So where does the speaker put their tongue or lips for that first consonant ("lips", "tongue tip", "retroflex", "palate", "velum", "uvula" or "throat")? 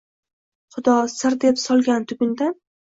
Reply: uvula